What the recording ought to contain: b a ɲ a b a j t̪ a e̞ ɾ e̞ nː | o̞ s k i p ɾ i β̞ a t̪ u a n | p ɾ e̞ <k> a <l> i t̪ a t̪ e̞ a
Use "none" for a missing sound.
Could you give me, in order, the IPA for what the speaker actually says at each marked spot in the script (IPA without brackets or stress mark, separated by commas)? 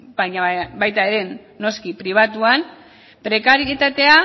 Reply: k, ɾ